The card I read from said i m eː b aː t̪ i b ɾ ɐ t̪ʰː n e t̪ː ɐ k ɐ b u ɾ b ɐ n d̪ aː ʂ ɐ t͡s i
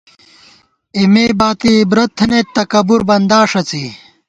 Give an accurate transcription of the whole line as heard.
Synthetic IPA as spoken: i m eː b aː t̪ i b ɾ ɐ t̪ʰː n e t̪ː ɐ k ɐ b u ɾ b ɐ n d̪ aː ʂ ɐ t͡s i